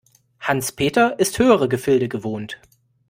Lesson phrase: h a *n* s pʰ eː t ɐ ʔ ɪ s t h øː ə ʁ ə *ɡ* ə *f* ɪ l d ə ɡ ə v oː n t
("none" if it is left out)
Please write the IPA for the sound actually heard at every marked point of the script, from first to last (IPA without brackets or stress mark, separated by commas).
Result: n, ɡ, f